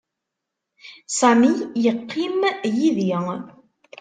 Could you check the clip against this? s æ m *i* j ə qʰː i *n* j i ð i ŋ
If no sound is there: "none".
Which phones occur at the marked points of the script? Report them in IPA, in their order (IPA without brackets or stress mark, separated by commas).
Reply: i, m